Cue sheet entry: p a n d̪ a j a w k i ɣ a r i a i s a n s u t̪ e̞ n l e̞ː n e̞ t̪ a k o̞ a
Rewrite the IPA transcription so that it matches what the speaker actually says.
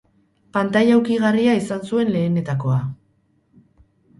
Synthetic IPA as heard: p a n t̪ a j a w k i ɣ a r i a i s a n s u e̞ n l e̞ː n e̞ t̪ a k o̞ a